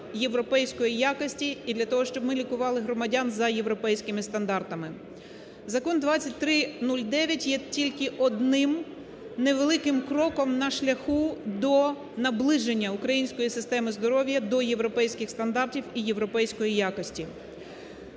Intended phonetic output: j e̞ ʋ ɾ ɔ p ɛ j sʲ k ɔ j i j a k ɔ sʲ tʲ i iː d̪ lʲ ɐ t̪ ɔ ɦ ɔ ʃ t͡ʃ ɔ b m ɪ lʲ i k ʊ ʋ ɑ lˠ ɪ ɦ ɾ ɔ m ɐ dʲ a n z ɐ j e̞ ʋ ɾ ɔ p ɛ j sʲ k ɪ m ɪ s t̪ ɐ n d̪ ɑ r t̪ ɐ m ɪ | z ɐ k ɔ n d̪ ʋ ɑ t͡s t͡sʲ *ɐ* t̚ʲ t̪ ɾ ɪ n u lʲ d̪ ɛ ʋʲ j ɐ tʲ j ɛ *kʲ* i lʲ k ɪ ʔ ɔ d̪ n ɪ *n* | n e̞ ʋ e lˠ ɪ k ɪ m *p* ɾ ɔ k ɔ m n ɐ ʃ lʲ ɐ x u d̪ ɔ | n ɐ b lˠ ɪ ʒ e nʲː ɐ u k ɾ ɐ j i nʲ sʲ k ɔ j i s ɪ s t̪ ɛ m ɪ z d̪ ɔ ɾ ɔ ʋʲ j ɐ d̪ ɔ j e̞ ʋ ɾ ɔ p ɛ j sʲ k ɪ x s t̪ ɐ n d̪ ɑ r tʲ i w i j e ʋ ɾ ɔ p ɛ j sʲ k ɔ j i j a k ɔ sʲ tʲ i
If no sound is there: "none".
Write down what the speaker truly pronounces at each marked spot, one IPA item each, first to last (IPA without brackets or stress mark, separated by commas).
ɐ, tʲ, m, k